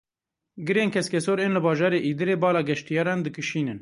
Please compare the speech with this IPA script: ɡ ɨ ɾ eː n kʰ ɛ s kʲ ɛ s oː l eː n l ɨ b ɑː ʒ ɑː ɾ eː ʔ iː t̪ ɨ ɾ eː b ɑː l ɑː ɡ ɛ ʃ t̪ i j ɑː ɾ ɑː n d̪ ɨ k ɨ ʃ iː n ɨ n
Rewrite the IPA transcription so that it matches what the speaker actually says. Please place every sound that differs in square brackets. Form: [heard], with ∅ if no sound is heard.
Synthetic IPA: ɡ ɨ ɾ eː n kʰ ɛ s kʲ ɛ s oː [ɾ] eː n l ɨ b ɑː ʒ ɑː ɾ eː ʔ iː [d̪] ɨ ɾ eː b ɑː l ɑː ɡ ɛ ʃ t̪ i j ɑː ɾ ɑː n d̪ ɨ k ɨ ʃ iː n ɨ n